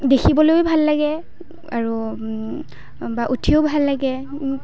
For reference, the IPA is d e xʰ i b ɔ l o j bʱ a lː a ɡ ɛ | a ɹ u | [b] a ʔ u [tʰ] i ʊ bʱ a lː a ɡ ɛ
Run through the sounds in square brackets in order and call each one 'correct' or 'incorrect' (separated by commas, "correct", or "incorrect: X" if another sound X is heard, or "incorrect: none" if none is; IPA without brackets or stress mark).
correct, correct